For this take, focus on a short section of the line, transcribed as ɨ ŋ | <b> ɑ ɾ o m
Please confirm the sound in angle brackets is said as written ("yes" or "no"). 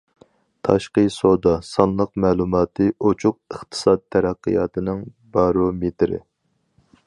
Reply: yes